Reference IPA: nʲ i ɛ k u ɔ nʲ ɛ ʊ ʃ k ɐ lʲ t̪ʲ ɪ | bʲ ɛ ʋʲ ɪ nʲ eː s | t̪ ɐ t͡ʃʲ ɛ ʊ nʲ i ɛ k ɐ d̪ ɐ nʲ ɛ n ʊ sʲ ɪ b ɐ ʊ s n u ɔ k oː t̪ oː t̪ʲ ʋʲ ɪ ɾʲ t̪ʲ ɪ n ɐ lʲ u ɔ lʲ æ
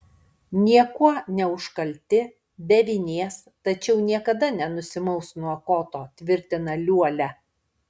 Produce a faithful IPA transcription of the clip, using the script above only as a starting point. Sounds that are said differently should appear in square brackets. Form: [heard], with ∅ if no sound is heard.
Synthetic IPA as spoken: nʲ i ɛ k u ɔ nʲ ɛ ʊ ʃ k ɐ lʲ t̪ʲ ɪ | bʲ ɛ ʋʲ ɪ nʲ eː s | t̪ ɐ t͡ʃʲ ɛ ʊ nʲ i ɛ k ɐ d̪ ɐ nʲ ɛ n ʊ sʲ ɪ [m] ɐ ʊ s n u ɔ k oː t̪ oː t̪ʲ ʋʲ ɪ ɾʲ t̪ʲ ɪ n ɐ lʲ u ɔ lʲ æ